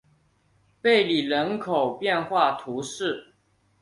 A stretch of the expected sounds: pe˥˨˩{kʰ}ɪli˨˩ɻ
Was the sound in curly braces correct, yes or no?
no